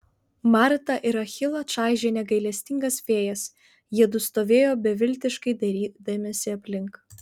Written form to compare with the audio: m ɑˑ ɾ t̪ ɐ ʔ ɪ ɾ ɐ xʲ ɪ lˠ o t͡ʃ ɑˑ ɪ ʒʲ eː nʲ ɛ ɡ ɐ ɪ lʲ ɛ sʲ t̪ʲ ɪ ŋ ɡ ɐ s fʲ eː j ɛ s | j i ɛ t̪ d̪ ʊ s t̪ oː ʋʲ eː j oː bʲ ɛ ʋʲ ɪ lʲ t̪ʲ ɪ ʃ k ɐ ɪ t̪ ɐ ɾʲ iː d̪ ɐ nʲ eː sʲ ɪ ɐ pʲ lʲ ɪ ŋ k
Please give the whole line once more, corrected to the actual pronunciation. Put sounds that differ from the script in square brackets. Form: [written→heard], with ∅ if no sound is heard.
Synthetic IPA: m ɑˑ ɾ t̪ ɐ ʔ ɪ ɾ ɐ xʲ ɪ lˠ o t͡ʃ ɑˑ ɪ ʒʲ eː nʲ ɛ ɡ ɐ ɪ lʲ ɛ sʲ t̪ʲ ɪ ŋ ɡ ɐ s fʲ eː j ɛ s | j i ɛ [t̪→∅] d̪ ʊ s t̪ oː ʋʲ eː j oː bʲ ɛ ʋʲ ɪ lʲ t̪ʲ ɪ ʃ k ɐ ɪ [t̪→d̪] ɐ ɾʲ iː d̪ ɐ [nʲ→mʲ] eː sʲ ɪ ɐ pʲ lʲ ɪ ŋ k